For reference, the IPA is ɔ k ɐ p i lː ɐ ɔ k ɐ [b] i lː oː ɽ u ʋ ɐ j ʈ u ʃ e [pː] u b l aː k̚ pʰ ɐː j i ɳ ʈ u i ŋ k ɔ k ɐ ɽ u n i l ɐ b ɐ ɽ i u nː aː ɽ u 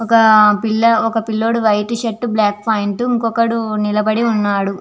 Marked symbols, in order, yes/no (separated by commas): no, no